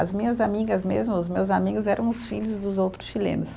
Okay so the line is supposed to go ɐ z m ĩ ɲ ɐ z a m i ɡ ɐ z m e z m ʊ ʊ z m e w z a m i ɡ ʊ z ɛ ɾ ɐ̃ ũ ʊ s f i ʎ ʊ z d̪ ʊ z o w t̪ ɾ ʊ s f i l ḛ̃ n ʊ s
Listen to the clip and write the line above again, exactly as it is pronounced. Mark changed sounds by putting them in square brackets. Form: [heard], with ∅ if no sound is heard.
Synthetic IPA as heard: ɐ z m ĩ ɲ ɐ z a m i ɡ ɐ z m e z m ʊ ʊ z m e w z a m i ɡ ʊ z ɛ ɾ ɐ̃ [w̃] ʊ s f i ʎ ʊ z d̪ ʊ z o w t̪ ɾ ʊ s [ʃ] i l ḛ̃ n ʊ s